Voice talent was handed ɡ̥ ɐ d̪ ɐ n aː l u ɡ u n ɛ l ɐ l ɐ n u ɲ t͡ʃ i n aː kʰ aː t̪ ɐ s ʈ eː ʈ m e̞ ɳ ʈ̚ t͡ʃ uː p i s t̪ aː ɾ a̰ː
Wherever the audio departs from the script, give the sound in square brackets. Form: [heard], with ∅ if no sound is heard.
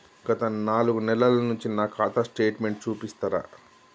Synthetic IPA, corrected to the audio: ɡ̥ ɐ [t̪] ɐ n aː l u ɡ u n ɛ l ɐ l ɐ n u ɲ t͡ʃ i n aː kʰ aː t̪ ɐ s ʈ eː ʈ m e̞ ɳ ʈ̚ t͡ʃ uː p i s t̪ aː ɾ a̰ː